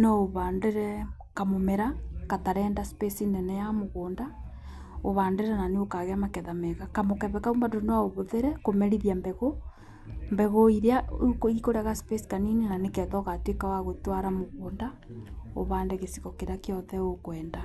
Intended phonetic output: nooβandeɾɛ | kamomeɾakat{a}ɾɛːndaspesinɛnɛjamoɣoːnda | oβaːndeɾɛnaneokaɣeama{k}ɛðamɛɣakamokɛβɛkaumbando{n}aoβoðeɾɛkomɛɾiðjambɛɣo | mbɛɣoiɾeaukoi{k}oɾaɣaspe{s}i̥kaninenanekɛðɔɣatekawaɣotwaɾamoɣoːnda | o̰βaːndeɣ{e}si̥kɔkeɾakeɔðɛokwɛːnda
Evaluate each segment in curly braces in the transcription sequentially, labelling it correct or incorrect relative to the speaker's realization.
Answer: correct, correct, correct, correct, correct, correct

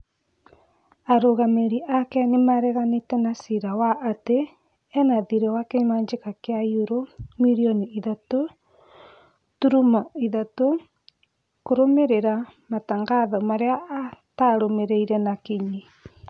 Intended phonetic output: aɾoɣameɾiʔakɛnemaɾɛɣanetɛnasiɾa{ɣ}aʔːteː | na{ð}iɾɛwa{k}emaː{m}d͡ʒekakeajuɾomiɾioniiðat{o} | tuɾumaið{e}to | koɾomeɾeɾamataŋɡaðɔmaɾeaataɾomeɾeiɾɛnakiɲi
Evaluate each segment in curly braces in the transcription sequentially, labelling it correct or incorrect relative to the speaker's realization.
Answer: incorrect: w, correct, correct, incorrect: ɲ, correct, incorrect: a

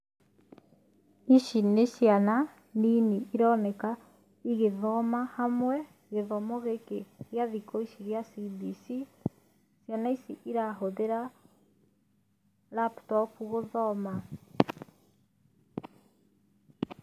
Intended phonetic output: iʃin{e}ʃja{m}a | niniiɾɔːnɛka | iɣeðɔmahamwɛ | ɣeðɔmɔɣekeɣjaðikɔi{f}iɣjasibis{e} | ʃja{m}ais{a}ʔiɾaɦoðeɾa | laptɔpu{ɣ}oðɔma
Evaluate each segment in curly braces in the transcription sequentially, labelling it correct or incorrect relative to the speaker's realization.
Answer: correct, incorrect: n, incorrect: ʃ, incorrect: i, incorrect: n, incorrect: i, correct

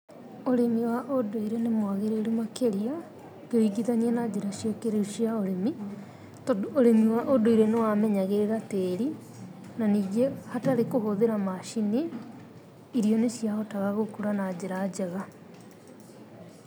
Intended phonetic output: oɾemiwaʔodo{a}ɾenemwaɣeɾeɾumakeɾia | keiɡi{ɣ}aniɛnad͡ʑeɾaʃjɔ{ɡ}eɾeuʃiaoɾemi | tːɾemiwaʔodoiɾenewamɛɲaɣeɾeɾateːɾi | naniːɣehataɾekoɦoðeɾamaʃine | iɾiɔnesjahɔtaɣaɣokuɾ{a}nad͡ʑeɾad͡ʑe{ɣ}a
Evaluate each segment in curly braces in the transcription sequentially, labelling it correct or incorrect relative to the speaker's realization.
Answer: incorrect: i, incorrect: ð, incorrect: k, correct, correct

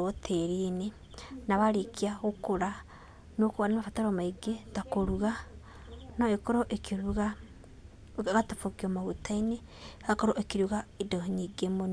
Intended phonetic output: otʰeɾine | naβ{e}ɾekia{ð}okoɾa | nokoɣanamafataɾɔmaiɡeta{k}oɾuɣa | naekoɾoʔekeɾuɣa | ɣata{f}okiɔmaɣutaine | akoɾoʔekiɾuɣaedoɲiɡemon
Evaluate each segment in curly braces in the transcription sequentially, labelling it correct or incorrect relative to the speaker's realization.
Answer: incorrect: a, incorrect: ɣ, correct, correct

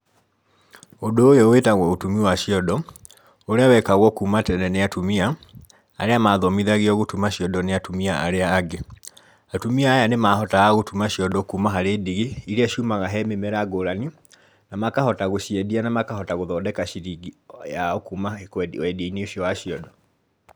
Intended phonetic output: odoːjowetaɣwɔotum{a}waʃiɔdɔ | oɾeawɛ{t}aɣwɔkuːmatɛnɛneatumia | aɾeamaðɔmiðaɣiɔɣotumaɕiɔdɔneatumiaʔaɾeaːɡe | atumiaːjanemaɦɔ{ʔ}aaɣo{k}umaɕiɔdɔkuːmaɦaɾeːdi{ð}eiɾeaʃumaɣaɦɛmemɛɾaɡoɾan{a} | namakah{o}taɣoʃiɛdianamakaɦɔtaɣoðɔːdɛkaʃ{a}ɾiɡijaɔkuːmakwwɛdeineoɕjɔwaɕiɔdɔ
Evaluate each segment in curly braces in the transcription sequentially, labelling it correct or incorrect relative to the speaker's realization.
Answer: incorrect: i, incorrect: k, incorrect: t, incorrect: t, incorrect: ɣ, incorrect: i, incorrect: ɔ, incorrect: i

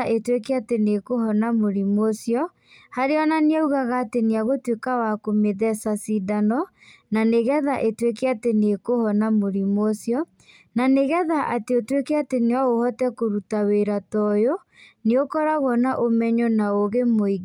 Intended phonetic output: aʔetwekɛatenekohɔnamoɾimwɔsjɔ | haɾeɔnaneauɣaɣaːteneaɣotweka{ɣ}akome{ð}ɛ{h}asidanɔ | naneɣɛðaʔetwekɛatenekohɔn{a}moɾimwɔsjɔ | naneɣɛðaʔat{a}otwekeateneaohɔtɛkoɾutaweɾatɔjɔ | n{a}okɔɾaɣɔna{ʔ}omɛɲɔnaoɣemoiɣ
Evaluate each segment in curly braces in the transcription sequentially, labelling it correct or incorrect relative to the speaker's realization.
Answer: incorrect: w, correct, incorrect: s, correct, incorrect: e, incorrect: e, correct

